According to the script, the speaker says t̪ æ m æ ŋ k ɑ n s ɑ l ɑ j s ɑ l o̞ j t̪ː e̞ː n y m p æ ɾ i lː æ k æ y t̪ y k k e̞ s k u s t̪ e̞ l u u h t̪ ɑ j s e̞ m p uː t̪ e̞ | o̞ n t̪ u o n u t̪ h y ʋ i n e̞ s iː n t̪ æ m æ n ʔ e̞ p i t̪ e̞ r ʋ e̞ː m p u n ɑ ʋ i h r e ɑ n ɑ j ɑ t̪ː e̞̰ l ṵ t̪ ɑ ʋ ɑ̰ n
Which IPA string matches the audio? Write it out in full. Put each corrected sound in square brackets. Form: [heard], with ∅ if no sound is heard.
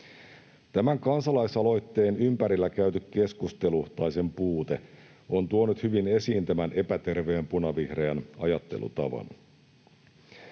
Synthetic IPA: t̪ æ m æ ŋ k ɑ n s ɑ l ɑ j s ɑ l o̞ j t̪ː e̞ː n y m p æ ɾ i lː æ k æ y t̪ y k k e̞ s k u s t̪ e̞ l u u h t̪ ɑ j s e̞ m p uː t̪ e̞ | o̞ n t̪ u o n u t̪ h y ʋ i n e̞ s iː n t̪ æ m æ n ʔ e̞ p [æ] t̪ e̞ r ʋ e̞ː m p u n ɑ ʋ i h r e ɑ n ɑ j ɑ t̪ː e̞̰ l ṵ t̪ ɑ ʋ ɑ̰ n